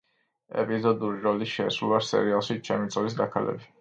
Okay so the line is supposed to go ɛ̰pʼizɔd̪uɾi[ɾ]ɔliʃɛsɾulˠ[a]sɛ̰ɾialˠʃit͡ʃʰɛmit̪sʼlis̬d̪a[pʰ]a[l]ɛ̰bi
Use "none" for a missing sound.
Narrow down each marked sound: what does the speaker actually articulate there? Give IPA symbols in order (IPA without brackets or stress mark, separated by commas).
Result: ɾ, a, kʰ, l